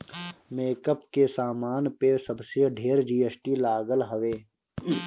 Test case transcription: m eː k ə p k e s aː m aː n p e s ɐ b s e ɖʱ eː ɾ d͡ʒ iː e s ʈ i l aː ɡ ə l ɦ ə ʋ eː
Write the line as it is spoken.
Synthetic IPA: m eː k ə p k e s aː m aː n p e s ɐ b s e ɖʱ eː ɾ d͡ʒ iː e s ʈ i l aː ɡ ə l ɦ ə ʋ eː